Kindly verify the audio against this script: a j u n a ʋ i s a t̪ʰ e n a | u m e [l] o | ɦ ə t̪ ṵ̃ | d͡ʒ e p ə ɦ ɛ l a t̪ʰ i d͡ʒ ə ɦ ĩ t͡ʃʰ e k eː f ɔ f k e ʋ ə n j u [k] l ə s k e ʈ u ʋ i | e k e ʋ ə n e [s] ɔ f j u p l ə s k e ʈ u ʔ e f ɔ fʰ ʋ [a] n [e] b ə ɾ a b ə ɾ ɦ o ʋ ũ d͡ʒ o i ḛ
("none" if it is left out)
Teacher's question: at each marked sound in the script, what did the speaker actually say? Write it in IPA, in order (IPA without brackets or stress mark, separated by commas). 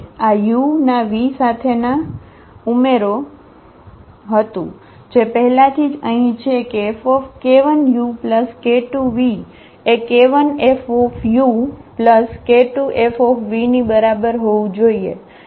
ɾ, p, f, i, i